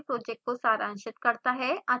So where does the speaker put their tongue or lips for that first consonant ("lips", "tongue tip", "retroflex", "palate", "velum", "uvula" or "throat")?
lips